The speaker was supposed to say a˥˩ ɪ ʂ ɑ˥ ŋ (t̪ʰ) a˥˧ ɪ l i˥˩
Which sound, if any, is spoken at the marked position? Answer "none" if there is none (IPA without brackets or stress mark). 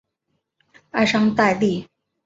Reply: t̪